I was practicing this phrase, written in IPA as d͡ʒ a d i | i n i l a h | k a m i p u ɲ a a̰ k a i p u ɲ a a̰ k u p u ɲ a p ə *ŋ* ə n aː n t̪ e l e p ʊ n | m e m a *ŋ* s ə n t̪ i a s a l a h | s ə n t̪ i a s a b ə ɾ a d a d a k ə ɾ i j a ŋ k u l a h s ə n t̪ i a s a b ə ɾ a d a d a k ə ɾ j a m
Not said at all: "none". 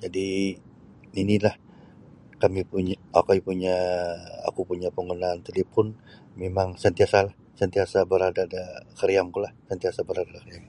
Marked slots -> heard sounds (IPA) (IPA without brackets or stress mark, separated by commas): ŋ, ŋ